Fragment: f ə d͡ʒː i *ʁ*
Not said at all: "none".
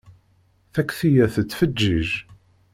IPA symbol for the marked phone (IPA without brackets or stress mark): ʒ